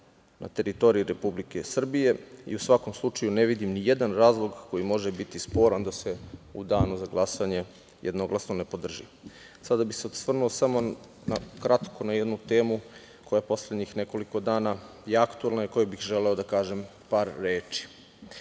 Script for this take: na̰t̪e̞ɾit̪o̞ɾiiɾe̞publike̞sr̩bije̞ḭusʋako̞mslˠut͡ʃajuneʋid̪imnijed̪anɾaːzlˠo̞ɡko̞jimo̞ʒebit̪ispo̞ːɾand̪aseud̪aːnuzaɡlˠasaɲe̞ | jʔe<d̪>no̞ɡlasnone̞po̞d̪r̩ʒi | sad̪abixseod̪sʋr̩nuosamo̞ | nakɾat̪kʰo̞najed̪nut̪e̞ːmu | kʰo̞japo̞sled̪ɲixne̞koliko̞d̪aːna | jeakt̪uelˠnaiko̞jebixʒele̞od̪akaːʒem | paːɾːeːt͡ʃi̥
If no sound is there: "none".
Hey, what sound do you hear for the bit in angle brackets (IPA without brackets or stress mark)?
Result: d̪